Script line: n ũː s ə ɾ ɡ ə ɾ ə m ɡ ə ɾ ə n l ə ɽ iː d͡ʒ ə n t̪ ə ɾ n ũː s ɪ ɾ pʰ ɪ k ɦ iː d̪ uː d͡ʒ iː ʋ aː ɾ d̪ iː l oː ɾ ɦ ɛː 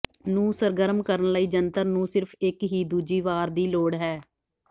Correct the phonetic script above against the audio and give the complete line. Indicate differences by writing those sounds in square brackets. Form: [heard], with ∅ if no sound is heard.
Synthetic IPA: n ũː s ə ɾ ɡ ə ɾ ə m [k] ə ɾ ə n l ə [∅] iː d͡ʒ ə n t̪ ə ɾ n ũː s ɪ ɾ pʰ ɪ k ɦ iː d̪ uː d͡ʒ iː ʋ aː ɾ d̪ iː l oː [ɽ] ɦ ɛː